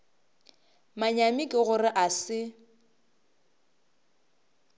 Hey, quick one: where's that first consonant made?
lips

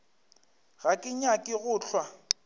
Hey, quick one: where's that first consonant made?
velum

